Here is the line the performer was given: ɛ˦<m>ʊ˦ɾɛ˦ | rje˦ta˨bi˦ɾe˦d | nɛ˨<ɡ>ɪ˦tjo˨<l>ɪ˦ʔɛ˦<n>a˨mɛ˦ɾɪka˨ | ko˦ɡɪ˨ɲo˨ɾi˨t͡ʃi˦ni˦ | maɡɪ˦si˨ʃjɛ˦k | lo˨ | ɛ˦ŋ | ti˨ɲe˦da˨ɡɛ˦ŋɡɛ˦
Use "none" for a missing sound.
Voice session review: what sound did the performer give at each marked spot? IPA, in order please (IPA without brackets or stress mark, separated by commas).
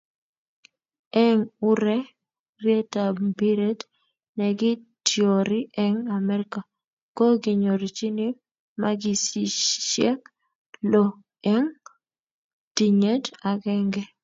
ŋ, ɡ, ɾ, ŋ